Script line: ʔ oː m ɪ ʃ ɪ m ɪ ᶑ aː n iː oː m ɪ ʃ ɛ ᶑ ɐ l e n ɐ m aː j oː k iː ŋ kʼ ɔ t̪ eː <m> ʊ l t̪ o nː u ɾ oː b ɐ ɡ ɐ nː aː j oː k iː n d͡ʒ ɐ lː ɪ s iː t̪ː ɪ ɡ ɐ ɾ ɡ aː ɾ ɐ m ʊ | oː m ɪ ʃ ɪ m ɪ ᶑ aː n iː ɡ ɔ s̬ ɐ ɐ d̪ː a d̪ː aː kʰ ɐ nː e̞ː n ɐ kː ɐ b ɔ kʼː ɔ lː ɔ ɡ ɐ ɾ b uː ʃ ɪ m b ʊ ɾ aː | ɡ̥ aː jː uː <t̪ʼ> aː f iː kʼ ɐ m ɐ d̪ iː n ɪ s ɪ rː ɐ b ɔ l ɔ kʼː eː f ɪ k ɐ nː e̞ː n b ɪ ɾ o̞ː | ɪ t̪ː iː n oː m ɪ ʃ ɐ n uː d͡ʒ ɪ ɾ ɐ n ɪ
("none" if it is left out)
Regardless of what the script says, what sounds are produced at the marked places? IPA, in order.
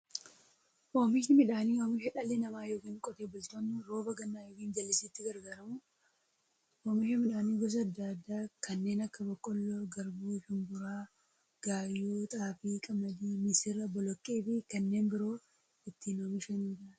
b, t̪ʼ

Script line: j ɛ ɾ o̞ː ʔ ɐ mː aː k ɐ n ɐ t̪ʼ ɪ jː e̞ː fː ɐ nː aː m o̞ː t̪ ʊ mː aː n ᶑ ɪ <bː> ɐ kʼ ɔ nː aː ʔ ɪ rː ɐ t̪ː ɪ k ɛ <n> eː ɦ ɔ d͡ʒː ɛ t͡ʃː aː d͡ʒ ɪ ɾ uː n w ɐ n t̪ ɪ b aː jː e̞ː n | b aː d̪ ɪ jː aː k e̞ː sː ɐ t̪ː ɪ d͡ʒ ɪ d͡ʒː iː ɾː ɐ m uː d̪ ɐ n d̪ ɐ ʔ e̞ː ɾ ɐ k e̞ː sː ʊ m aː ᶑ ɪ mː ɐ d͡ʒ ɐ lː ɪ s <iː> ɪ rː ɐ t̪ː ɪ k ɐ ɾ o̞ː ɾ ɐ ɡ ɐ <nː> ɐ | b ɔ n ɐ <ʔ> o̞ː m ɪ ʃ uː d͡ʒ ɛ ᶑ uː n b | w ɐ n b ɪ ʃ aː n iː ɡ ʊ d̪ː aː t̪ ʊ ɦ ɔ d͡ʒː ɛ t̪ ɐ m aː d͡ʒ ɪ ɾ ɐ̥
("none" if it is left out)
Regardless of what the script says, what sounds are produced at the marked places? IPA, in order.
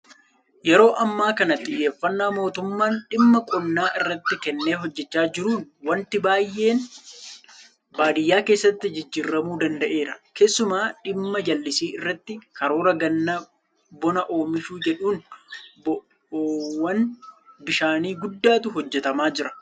mː, nː, iː, nː, ʔ

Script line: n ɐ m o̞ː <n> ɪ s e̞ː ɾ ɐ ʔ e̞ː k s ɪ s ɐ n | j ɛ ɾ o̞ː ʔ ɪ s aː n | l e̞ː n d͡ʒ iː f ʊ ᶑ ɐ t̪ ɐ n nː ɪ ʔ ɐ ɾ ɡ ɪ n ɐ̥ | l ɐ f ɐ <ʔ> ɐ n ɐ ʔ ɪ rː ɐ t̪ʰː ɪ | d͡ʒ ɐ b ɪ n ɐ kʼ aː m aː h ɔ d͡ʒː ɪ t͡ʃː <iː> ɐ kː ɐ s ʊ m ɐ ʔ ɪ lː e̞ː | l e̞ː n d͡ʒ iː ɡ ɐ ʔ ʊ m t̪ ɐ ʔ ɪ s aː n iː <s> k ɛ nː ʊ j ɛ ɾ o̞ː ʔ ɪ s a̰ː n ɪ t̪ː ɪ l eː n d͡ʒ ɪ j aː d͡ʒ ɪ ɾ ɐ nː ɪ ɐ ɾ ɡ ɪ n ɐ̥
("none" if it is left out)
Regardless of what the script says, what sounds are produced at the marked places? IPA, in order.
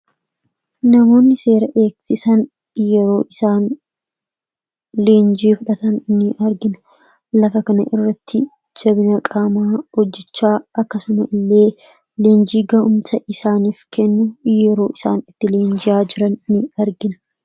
nː, k, aː, f

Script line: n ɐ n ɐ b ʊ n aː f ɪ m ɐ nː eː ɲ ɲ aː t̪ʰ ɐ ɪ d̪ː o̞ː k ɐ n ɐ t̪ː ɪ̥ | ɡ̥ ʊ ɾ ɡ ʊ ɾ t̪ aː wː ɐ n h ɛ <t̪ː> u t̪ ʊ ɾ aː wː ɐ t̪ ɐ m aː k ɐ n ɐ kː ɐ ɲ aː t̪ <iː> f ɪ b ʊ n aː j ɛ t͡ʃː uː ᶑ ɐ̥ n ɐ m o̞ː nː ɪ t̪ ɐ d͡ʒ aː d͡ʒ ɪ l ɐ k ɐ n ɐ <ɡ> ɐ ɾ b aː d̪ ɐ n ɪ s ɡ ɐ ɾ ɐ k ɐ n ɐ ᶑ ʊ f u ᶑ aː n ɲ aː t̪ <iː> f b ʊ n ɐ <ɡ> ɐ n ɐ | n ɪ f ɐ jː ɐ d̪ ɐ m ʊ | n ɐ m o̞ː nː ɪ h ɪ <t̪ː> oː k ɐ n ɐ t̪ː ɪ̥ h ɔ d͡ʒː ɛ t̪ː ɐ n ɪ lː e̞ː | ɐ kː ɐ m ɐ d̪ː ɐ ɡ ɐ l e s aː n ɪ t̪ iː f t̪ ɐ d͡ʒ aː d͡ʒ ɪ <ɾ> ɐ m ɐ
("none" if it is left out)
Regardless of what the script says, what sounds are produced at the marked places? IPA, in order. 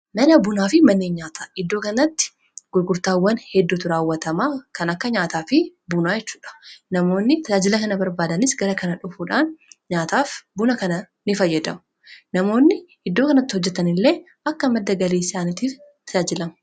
d̪ː, aː, b, aː, k, d̪ː, l

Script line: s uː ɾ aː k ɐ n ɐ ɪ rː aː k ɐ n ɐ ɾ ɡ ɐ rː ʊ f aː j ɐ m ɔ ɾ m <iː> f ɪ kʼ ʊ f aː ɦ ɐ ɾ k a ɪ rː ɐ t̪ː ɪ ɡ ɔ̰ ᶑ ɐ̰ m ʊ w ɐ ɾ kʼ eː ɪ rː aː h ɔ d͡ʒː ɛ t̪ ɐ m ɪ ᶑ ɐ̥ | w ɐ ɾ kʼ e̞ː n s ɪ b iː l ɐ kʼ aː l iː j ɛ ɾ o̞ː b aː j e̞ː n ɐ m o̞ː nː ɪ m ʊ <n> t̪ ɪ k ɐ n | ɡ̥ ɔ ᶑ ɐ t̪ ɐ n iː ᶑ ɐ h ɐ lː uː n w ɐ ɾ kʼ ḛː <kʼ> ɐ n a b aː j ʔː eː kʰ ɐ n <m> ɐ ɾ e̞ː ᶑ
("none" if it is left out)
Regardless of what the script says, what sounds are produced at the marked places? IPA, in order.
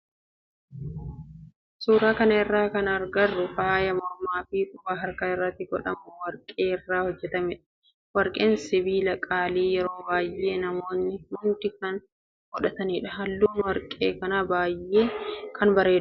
aː, n, k, b

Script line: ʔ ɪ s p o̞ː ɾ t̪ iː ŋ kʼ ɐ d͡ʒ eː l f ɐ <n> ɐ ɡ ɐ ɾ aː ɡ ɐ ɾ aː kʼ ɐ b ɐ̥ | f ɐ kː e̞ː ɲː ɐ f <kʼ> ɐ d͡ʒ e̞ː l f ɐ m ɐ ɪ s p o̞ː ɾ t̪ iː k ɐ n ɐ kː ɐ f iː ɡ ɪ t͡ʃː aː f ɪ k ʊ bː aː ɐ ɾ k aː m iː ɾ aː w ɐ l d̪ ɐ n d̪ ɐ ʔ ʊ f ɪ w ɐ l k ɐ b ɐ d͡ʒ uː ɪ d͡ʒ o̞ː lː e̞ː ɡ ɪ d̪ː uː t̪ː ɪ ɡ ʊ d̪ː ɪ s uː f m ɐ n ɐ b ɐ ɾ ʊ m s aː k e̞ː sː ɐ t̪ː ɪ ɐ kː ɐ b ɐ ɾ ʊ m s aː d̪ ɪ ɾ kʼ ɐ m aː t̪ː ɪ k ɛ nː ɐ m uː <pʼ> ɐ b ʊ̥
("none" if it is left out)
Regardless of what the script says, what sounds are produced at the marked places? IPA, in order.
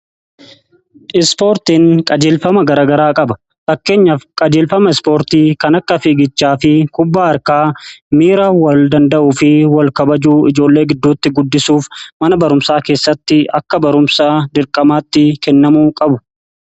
m, kʼ, kʼ

